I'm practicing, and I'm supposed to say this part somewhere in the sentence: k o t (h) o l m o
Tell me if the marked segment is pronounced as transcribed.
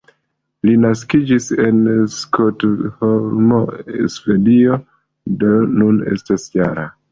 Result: yes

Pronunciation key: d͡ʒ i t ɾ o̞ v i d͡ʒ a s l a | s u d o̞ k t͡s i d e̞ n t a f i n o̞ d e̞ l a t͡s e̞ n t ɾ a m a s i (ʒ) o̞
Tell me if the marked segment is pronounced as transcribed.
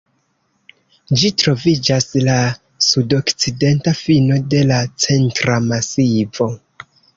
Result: no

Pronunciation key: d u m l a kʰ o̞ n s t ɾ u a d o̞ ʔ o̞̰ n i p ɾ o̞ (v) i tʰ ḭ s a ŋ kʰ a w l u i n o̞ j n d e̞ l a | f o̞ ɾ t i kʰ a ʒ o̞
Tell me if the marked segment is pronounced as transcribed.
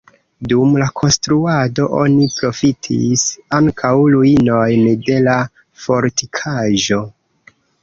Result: no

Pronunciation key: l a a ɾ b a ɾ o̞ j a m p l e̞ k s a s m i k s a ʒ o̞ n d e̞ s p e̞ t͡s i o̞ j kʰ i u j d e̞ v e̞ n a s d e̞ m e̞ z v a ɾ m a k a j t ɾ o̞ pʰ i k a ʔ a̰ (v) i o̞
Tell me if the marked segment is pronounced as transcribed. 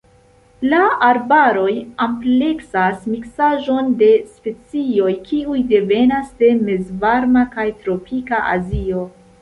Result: no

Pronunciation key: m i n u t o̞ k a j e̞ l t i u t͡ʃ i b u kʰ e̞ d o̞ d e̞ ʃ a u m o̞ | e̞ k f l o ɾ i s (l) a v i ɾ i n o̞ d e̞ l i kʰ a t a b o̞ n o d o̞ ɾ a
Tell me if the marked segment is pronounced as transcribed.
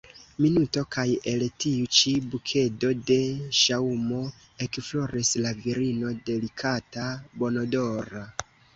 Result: yes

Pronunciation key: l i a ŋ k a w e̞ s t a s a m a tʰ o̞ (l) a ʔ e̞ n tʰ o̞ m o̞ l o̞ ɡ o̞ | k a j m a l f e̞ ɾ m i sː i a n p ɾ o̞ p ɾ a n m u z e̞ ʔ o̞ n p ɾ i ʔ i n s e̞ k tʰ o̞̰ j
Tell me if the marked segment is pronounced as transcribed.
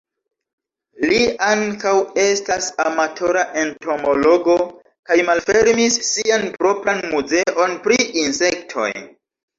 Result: no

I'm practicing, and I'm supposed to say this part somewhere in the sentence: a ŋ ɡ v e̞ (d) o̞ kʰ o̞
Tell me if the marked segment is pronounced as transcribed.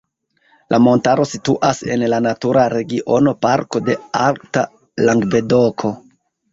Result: yes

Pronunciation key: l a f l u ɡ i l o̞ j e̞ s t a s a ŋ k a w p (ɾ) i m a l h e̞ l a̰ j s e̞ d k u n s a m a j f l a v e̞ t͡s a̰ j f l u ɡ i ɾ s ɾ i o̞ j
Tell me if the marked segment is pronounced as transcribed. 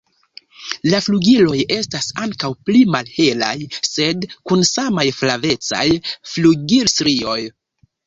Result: no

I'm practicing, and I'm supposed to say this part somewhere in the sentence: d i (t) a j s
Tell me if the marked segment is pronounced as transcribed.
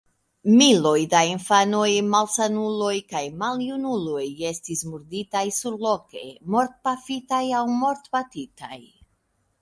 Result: yes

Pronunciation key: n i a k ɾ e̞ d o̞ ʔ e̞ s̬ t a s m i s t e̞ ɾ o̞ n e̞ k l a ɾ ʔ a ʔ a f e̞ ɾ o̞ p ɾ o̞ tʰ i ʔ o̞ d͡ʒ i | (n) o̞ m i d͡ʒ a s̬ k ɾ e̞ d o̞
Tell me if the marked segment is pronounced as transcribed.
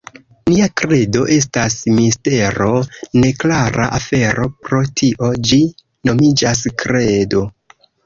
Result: yes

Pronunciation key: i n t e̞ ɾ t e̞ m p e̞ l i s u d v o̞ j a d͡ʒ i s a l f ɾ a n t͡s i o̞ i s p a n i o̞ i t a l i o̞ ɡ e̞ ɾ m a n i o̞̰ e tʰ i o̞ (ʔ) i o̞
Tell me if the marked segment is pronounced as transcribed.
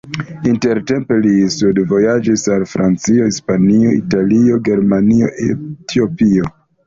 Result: no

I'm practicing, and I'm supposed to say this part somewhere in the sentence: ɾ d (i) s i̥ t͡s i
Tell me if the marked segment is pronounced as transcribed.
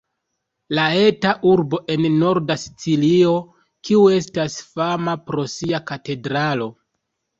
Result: no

